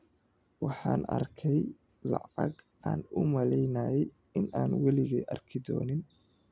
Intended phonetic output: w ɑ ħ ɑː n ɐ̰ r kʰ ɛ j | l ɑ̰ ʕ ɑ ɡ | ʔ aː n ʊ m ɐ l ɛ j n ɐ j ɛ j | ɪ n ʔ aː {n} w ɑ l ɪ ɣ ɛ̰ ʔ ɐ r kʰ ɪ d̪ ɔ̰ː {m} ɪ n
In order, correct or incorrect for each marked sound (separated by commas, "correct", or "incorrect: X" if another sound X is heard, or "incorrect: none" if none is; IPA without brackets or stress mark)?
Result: correct, incorrect: n